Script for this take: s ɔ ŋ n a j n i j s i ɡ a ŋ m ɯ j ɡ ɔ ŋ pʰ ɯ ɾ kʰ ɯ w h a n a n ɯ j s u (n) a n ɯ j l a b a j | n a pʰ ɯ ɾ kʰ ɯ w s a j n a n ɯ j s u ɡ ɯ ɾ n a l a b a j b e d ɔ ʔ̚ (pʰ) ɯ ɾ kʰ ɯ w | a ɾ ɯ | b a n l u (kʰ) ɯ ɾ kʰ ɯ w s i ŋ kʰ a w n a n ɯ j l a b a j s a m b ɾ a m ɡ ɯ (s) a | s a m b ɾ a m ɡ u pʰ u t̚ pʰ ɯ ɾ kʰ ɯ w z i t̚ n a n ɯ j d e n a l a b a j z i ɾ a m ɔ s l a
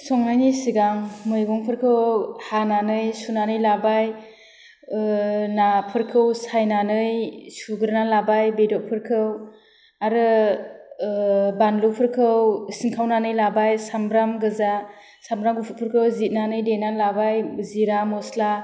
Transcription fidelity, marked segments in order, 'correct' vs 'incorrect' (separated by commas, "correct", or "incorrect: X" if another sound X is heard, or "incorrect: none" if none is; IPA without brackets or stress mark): correct, correct, incorrect: pʰ, incorrect: z